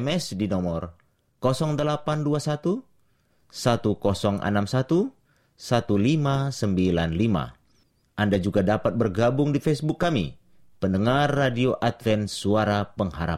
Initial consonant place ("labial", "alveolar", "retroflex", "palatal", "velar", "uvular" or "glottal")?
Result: labial